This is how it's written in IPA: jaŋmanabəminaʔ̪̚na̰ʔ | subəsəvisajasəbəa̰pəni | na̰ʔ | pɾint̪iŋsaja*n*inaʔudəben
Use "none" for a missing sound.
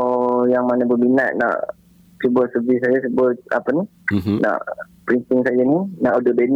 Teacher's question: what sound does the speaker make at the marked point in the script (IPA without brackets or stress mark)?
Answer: n